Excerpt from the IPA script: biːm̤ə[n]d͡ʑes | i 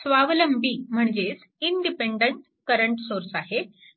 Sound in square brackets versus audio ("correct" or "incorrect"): incorrect